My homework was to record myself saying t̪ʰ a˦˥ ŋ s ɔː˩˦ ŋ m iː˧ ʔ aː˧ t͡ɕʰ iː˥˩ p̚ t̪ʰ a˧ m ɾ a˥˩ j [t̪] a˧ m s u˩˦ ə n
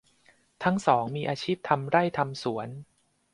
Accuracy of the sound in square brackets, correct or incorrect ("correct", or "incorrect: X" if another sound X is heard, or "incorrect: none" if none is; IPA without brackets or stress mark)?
incorrect: t̪ʰ